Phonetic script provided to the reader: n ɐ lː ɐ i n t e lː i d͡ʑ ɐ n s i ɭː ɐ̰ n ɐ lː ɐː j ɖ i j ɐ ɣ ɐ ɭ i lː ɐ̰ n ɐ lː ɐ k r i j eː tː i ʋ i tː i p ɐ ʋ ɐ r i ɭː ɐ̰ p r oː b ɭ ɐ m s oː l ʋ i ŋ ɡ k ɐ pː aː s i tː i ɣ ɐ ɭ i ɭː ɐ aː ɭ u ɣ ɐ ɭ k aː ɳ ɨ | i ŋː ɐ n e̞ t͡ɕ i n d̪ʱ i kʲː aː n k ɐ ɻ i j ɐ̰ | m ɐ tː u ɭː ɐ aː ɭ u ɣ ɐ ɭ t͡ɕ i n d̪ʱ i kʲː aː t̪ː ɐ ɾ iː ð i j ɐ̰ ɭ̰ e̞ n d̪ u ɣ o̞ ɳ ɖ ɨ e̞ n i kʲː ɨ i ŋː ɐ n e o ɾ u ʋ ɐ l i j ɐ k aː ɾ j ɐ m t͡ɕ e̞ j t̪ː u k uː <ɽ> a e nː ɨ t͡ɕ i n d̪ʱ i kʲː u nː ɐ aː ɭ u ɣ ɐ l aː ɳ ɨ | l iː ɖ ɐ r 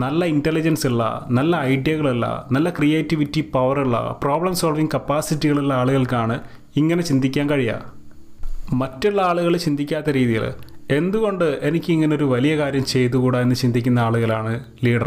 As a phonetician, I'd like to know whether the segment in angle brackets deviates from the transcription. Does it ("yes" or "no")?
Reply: no